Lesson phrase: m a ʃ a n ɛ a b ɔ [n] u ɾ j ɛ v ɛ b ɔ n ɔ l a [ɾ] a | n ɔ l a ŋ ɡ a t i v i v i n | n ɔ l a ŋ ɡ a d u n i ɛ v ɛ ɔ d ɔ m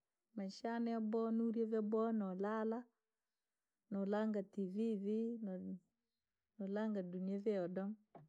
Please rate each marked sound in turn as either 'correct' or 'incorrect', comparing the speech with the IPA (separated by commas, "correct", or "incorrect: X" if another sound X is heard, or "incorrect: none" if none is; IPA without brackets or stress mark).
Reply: correct, incorrect: l